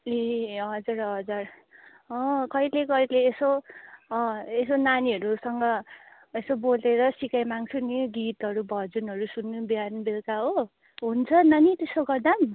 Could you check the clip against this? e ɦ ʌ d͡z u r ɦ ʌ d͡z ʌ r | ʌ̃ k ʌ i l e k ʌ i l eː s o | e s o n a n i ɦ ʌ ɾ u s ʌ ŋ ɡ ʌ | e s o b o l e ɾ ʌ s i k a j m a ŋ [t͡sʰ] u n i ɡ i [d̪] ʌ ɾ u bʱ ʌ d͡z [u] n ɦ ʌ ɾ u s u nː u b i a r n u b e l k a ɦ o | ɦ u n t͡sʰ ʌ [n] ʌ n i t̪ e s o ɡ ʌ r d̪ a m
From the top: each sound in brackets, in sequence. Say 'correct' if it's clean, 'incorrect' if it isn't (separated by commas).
correct, incorrect, correct, correct